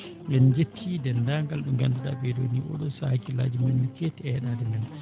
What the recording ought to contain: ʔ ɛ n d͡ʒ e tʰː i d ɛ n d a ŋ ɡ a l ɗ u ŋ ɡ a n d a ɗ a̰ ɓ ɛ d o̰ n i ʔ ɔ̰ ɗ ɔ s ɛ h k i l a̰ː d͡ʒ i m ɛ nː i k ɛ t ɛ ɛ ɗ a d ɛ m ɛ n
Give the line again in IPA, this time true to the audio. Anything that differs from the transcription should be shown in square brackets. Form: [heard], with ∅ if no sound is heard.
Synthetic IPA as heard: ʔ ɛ n d͡ʒ e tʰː i d ɛ n d a ŋ ɡ a l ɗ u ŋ ɡ a n d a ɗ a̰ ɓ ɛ d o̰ n i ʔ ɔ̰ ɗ ɔ s [a] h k i l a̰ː d͡ʒ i m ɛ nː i k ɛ t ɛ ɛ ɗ a d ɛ m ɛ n